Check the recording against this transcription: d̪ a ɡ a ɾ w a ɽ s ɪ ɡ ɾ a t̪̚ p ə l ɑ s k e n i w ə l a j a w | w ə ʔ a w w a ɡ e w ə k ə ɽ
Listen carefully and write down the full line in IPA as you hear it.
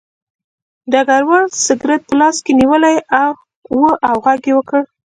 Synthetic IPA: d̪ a ɡ a ɾ w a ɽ s ɪ ɡ ɾ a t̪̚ p ə l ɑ s k e n i w ə l a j a w | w ə ʔ a w ɣ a ɡ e w ə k ə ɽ